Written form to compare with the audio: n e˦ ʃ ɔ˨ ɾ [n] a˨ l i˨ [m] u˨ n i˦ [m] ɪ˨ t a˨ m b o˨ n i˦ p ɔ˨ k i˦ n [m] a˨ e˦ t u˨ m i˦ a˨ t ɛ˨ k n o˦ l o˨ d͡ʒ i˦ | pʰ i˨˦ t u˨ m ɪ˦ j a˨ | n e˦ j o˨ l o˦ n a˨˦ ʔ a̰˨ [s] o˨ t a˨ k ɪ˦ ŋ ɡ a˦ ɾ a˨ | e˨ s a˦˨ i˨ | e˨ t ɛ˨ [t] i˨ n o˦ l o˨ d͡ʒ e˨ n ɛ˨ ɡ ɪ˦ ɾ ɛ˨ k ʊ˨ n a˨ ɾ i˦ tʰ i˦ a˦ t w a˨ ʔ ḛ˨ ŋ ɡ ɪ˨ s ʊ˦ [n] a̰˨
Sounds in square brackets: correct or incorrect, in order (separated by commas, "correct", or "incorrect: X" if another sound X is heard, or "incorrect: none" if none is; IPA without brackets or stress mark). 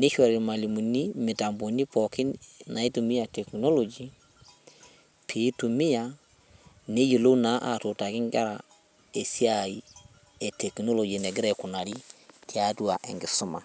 incorrect: m, correct, correct, incorrect: n, incorrect: t, incorrect: k, incorrect: m